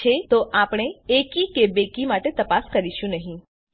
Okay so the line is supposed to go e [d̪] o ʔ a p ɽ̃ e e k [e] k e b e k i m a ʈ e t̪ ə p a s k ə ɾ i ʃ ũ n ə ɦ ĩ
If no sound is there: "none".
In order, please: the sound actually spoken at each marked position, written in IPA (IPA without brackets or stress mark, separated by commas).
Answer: t̪, i